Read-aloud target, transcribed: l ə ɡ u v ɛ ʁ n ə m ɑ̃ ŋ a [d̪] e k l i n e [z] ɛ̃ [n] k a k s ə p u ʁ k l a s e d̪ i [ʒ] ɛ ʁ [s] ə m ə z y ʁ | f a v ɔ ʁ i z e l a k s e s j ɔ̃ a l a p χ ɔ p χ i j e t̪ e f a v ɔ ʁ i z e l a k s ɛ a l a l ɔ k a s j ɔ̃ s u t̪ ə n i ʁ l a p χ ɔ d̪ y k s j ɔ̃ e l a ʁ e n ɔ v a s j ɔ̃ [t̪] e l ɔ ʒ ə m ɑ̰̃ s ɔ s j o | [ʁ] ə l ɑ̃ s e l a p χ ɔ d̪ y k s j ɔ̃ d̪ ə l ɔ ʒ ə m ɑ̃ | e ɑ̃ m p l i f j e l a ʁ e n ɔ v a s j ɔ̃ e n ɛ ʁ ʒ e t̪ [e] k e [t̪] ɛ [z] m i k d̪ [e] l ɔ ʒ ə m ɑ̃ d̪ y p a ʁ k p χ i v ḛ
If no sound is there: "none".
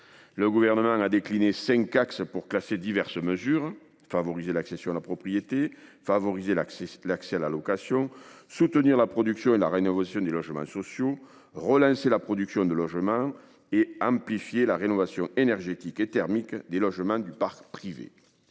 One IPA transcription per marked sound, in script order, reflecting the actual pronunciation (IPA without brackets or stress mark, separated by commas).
d̪, s, ŋ, v, s, d̪, ʁ, i, t̪, ʁ, e